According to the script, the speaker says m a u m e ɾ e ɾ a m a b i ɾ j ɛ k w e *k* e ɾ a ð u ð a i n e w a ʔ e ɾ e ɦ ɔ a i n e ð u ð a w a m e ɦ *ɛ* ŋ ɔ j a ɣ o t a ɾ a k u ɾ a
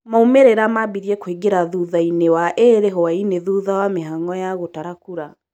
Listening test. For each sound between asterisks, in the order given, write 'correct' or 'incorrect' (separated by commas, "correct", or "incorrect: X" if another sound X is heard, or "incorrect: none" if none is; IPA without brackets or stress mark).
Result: incorrect: ɡ, incorrect: a